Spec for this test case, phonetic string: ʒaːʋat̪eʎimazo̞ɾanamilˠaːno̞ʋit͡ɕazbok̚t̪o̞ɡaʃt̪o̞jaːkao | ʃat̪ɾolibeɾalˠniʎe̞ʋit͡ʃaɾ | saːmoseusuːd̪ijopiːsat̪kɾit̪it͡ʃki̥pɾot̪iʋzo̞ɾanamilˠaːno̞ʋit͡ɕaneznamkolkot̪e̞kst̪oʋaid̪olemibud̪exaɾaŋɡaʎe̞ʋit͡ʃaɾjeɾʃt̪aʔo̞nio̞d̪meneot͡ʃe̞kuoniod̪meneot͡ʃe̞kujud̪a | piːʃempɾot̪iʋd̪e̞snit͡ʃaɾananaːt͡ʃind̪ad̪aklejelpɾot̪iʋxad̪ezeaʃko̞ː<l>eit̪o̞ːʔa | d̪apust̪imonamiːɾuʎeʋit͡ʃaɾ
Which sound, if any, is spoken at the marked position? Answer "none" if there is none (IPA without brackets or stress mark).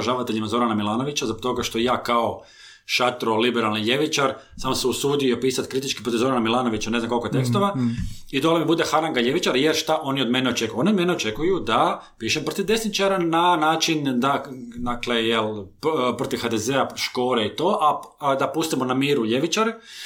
ɾ